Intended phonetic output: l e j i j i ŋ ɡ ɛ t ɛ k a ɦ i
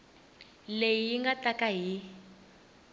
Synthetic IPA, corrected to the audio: l e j i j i ŋ ɡ a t a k a ɦ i